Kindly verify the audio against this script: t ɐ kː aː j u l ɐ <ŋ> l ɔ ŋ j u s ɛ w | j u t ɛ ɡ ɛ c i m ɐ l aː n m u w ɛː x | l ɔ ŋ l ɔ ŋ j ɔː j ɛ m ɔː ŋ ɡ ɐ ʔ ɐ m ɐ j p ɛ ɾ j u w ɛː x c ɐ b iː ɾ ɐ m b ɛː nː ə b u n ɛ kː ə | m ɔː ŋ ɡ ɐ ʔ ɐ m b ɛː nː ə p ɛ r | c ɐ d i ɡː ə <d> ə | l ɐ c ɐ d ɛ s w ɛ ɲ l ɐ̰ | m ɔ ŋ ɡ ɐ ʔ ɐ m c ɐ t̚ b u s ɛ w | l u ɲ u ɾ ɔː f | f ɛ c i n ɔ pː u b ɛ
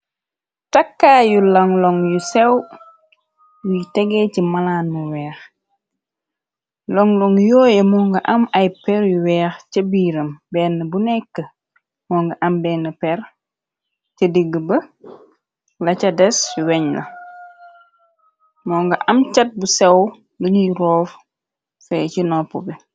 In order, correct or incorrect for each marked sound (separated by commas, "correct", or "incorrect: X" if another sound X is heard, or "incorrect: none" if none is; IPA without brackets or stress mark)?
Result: correct, incorrect: b